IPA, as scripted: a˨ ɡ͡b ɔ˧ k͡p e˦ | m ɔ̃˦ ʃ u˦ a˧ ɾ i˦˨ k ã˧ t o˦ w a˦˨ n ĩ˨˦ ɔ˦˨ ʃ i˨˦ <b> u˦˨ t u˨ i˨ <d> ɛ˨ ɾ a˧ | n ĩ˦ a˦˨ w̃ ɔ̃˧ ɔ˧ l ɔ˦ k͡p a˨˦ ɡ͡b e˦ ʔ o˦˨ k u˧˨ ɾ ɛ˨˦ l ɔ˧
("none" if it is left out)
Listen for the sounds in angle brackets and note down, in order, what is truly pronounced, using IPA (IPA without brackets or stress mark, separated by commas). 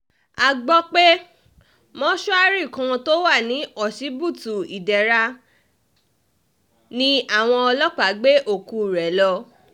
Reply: b, d